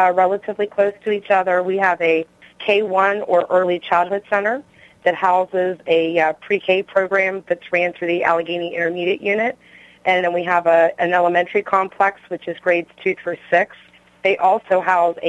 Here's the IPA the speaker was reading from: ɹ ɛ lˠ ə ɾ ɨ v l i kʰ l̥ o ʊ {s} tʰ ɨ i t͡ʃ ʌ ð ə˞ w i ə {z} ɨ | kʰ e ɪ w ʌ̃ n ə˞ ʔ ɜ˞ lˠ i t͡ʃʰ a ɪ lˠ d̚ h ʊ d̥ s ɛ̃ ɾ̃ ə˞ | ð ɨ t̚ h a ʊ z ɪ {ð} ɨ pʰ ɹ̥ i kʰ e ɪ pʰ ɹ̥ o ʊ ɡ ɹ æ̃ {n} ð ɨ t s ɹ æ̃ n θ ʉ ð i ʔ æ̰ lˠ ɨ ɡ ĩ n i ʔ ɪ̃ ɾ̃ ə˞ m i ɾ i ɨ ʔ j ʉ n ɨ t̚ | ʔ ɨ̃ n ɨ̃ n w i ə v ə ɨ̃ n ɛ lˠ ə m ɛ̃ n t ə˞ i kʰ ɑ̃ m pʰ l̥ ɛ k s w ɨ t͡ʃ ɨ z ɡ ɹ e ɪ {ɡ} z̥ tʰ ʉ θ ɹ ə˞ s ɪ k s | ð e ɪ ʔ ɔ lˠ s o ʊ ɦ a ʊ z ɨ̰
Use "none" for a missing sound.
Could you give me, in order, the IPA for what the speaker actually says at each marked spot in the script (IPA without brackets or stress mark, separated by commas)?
s, v, z, m, d